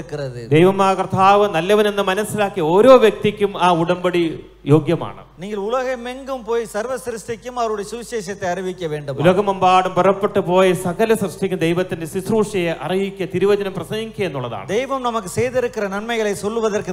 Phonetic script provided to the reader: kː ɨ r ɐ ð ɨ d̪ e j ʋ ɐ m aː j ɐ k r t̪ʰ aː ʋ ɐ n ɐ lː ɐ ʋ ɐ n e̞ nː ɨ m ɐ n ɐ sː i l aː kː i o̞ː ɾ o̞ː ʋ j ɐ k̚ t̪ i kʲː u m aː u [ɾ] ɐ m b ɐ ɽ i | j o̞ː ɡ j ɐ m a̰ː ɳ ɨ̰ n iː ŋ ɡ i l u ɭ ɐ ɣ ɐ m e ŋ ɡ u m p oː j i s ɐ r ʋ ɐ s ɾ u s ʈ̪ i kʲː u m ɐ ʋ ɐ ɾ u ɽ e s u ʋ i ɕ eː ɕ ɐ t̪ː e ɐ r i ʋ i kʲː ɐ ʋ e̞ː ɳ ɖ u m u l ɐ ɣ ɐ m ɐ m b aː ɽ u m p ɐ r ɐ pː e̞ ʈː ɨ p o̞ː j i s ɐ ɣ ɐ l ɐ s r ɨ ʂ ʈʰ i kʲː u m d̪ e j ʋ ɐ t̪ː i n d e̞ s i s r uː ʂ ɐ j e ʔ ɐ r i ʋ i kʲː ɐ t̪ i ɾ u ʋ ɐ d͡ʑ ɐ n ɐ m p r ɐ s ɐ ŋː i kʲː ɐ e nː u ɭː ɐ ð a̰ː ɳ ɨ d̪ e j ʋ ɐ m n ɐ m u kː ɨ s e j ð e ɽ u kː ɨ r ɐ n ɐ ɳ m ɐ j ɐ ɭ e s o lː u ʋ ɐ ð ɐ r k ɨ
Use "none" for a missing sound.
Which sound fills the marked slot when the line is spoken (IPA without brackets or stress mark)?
ɽ